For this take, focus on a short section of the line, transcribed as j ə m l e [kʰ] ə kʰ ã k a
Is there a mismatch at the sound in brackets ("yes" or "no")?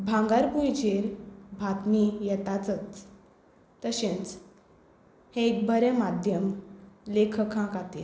no